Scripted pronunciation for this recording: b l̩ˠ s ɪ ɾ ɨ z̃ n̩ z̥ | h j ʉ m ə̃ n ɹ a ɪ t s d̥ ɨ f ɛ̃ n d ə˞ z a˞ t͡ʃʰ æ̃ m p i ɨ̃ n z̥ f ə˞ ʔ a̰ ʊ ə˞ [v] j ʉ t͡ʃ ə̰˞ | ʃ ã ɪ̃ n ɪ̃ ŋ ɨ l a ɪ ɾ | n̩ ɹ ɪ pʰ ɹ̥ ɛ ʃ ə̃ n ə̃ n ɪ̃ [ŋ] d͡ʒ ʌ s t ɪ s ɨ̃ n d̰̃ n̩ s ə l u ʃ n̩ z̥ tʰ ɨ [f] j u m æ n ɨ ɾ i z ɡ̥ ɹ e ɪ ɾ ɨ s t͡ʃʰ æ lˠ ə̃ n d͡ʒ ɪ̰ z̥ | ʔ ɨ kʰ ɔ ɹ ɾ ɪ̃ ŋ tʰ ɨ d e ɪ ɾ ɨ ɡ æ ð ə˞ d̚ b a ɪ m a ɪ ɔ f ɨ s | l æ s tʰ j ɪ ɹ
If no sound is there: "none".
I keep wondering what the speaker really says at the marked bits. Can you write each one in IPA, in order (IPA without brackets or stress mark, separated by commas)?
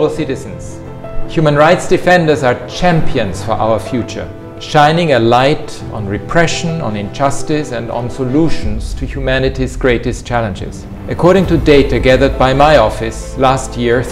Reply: f, n, h